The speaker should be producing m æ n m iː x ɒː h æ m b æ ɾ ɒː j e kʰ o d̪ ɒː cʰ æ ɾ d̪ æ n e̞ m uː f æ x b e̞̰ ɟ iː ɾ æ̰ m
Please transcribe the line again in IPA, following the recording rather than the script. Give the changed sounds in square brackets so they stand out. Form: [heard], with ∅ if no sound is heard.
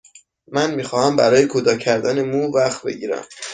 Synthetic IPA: m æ n m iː x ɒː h æ m b æ ɾ ɒː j e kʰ o d̪ ɒː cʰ æ ɾ d̪ æ n e̞ m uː [v] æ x b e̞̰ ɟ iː ɾ æ̰ m